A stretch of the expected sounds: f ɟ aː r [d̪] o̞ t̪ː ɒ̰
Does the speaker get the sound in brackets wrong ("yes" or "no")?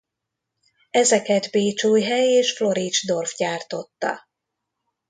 yes